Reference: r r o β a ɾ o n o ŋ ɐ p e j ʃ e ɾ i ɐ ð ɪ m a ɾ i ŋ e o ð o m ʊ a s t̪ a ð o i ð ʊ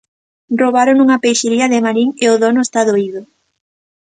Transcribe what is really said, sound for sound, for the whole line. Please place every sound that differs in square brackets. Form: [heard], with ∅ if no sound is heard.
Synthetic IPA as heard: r r o β a ɾ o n [u] ŋ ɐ p e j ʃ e ɾ i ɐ ð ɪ m a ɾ i ŋ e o ð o [n] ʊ [e] s t̪ a ð o i ð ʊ